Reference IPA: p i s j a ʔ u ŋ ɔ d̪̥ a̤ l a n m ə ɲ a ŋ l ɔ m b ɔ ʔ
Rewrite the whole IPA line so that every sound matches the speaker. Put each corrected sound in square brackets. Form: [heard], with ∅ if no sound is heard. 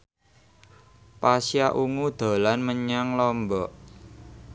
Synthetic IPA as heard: p [a] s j a ʔ u ŋ [u] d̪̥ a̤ l a n m ə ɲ a ŋ l ɔ m b ɔ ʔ